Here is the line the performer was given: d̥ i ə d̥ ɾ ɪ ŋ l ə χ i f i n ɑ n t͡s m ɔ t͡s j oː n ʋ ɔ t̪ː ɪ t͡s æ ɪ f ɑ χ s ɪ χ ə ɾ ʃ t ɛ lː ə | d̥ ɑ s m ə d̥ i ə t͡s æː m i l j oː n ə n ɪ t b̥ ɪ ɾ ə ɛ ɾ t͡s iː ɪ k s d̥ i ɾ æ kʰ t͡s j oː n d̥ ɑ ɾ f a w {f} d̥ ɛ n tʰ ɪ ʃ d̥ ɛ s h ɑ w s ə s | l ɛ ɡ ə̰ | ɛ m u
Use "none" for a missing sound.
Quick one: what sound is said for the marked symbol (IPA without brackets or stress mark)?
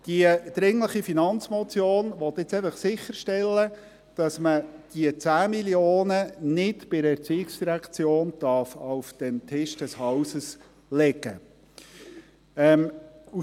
f